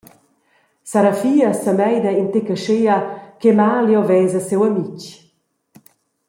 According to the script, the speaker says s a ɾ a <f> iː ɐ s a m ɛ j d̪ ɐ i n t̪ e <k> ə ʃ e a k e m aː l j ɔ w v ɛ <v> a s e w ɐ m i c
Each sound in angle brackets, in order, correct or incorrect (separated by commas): correct, correct, incorrect